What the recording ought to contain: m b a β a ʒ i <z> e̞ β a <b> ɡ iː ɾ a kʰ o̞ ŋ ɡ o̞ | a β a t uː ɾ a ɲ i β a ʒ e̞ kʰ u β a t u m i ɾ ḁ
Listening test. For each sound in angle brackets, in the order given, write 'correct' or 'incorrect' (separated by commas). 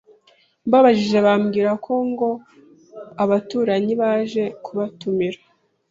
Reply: incorrect, incorrect